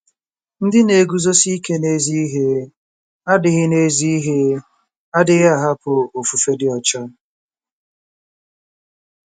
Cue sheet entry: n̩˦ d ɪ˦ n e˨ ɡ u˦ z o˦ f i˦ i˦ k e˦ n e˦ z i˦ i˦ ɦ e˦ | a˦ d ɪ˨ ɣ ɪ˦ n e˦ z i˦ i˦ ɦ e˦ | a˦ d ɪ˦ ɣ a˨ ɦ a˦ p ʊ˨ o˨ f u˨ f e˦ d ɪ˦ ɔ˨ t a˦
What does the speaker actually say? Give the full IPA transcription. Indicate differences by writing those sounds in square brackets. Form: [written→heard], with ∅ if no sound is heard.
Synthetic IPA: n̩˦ d ɪ˦ n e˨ ɡ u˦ z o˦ [f→s] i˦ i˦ k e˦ n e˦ z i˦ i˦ ɦ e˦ | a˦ d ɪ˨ ɣ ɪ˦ n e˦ z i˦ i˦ ɦ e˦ | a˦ d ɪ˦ ɣ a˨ ɦ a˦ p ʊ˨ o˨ f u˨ f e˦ d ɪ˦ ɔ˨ [t→t͡ʃ] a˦